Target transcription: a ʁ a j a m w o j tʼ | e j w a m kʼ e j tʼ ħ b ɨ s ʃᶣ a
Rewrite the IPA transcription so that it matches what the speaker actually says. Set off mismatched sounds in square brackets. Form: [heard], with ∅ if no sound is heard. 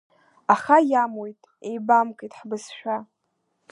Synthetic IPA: a [χ] a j a m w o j tʼ | e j [b] a m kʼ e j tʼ ħ b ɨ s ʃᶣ a